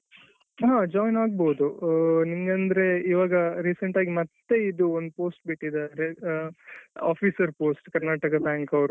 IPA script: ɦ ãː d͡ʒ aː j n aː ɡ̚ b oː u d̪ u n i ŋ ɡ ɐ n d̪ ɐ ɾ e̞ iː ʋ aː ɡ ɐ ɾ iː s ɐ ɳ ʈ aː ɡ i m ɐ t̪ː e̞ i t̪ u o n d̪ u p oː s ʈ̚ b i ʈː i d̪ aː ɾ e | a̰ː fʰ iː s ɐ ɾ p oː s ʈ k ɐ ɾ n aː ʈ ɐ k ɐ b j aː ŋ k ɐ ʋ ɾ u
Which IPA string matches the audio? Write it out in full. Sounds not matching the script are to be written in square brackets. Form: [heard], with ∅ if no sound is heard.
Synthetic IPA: ɦ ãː d͡ʒ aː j n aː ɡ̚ b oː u d̪ u n i ŋ ɡ ɐ n d̪ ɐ ɾ e̞ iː ʋ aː ɡ ɐ ɾ iː s ɐ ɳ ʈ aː ɡ i m ɐ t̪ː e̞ i [d̪] u o n d̪ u p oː s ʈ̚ b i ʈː i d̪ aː ɾ e | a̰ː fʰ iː s ɐ ɾ p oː s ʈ k ɐ ɾ n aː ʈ ɐ k ɐ b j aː ŋ k ɐ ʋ ɾ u